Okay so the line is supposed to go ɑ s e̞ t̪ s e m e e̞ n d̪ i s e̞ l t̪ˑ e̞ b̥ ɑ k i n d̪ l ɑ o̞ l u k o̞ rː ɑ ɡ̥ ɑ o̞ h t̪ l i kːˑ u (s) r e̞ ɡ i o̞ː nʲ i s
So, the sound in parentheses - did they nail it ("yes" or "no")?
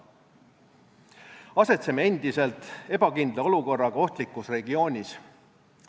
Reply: yes